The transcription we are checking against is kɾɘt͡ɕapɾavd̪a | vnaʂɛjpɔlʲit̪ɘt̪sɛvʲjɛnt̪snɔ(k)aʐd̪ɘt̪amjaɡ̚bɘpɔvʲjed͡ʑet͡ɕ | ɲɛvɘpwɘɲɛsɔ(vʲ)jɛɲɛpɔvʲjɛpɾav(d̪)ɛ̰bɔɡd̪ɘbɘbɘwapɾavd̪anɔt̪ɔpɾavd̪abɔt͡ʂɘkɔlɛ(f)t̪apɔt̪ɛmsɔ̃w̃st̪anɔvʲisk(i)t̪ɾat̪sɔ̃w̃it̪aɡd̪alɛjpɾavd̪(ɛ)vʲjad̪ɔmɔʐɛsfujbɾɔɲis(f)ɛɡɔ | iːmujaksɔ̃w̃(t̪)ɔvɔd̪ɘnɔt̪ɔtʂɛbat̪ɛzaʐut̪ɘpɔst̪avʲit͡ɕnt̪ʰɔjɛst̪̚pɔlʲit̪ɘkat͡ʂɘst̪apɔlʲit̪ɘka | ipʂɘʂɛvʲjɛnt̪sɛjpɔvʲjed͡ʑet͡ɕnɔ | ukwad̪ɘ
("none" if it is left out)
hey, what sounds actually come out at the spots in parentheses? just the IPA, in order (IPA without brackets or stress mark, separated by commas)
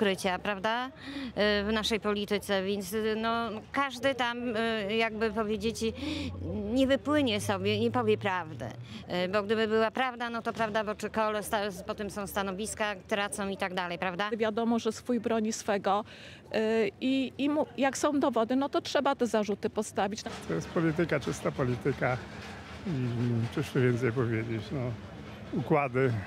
k, bʲ, d̪, s, a, a, f, d̪